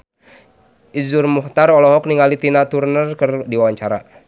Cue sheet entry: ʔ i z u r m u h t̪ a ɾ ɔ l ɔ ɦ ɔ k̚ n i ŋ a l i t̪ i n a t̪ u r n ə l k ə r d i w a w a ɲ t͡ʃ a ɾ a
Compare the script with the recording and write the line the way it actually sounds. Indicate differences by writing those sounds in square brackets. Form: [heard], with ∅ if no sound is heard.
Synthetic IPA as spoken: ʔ i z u r m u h t̪ a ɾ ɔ l ɔ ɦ ɔ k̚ n i ŋ a l i t̪ i n a t̪ u r n ə [r] k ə r d i w a w a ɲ t͡ʃ a ɾ a

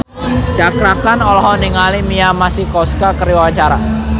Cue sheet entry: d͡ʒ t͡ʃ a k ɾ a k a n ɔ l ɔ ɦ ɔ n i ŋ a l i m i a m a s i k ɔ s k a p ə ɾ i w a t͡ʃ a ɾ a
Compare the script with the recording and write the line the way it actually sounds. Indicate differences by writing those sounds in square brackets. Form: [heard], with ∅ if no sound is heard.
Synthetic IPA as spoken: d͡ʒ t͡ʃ a k ɾ a k a n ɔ l ɔ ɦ ɔ n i ŋ a l i m i a m a s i k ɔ s k a [k] ə ɾ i w a t͡ʃ a ɾ a

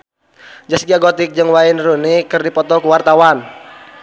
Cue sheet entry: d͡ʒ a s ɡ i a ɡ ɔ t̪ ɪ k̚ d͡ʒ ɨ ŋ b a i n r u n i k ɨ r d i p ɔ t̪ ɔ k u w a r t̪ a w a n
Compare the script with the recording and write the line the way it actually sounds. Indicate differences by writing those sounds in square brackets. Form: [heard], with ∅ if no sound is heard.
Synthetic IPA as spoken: d͡ʒ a s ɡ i a ɡ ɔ t̪ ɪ k̚ d͡ʒ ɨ ŋ [w] a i n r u n i k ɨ r d i p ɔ t̪ ɔ k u w a r t̪ a w a n

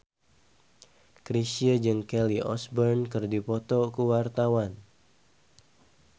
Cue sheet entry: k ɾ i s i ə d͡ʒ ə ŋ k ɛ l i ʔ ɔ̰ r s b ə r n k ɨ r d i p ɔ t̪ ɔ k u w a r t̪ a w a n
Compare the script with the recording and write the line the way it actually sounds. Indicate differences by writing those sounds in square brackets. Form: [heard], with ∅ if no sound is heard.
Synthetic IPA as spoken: k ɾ i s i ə d͡ʒ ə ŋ k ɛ l i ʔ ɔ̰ [∅] s b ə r n k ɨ r d i p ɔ t̪ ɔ k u w a r t̪ a w a n

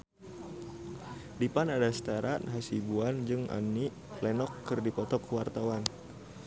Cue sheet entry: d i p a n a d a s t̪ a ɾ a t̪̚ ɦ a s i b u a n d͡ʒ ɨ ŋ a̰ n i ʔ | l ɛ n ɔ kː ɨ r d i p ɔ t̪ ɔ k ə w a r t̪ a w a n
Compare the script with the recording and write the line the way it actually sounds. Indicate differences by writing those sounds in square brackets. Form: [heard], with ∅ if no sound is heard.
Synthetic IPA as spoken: d i p a n a d a s t̪ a ɾ a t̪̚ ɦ a s i b u a n d͡ʒ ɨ ŋ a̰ n i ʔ | l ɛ n ɔ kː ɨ r d i p ɔ t̪ ɔ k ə w a r t̪ a w a n

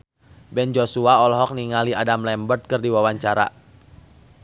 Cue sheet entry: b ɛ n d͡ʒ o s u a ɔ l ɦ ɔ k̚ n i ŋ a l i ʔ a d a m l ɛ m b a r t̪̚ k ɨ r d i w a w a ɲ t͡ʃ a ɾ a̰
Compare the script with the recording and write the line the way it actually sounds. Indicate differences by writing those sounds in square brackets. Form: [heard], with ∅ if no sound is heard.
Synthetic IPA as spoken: b ɛ n d͡ʒ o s u a ɔ l ɦ ɔ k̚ n i ŋ a l i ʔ a d a m l ɛ m b [ə] r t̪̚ k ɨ r d i w a w a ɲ t͡ʃ a ɾ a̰

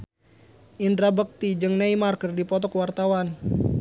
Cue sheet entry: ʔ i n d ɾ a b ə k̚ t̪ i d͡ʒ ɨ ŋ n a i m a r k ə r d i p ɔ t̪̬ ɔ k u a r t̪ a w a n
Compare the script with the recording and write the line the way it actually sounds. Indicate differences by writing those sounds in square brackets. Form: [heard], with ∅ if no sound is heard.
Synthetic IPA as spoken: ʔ i n d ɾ a b ə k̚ t̪ i d͡ʒ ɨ ŋ n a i m a r k ə r d i p ɔ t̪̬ ɔ k [w] a r t̪ a w a n

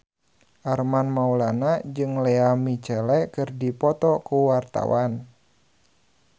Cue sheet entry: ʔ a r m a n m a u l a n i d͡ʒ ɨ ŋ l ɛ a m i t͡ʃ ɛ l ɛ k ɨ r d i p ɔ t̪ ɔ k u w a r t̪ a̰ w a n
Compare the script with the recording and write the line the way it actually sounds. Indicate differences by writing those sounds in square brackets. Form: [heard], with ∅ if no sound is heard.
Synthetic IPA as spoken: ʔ a r m a n m a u l a n [a] d͡ʒ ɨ ŋ l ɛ a m i t͡ʃ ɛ l ɛ k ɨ r d i p ɔ t̪ ɔ k u w a r t̪ a̰ w a n

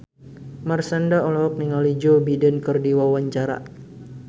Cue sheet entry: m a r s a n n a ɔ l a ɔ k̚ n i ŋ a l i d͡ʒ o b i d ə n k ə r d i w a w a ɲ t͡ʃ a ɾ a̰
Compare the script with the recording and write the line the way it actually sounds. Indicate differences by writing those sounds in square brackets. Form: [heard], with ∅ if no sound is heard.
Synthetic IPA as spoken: m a r s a n [d] a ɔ l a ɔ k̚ n i ŋ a l i d͡ʒ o b i d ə n k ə r d i w a w a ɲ t͡ʃ a ɾ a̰

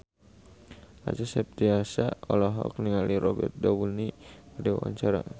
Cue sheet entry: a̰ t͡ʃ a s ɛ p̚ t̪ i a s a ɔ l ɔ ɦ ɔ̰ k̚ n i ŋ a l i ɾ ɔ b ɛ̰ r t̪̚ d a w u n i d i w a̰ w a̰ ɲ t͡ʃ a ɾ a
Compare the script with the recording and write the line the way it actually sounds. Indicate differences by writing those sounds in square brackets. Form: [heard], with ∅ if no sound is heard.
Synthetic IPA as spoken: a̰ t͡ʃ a s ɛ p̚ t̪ i a s a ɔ l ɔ ɦ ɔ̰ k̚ n i ŋ a l i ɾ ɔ b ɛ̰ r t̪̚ d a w u n i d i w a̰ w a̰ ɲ t͡ʃ a ɾ a

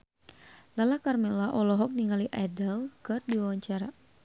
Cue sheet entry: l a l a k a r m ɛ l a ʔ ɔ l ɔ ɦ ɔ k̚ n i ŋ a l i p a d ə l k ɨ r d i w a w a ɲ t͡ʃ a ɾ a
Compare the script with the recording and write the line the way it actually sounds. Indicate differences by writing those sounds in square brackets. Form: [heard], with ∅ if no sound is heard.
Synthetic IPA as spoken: l a l a k a r m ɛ l a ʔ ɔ l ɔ ɦ ɔ k̚ n i ŋ a l i [ʔ] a d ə l k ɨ r d i w a w a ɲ t͡ʃ a ɾ a

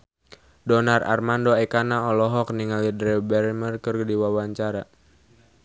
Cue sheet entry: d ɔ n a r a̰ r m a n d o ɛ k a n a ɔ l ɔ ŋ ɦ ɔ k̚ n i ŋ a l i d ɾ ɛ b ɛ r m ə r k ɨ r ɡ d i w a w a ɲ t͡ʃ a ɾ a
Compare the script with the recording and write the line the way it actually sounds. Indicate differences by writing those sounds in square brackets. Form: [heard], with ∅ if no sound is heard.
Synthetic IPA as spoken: d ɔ n a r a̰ r m a n d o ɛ k a n a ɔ l ɔ [∅] ɦ ɔ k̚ n i ŋ a l i d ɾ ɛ b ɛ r m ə r k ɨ r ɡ d i w a w a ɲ t͡ʃ a ɾ a

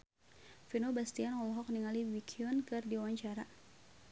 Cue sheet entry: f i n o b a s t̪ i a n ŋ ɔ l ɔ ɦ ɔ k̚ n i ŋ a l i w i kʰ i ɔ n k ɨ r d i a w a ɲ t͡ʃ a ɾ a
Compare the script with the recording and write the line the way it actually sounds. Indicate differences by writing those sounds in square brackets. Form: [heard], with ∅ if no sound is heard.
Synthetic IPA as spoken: f i n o b a s t̪ i a n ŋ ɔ l ɔ ɦ ɔ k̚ n i ŋ a l i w i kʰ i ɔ n k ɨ r d i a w a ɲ t͡ʃ a ɾ a

